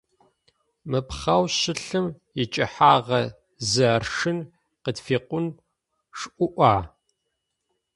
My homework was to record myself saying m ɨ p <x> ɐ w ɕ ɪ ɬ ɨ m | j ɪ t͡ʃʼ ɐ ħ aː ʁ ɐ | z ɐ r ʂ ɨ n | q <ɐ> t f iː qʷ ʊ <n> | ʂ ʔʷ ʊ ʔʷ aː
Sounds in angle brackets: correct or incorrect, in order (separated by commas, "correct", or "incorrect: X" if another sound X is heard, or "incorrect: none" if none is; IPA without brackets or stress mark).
incorrect: χ, incorrect: ə, correct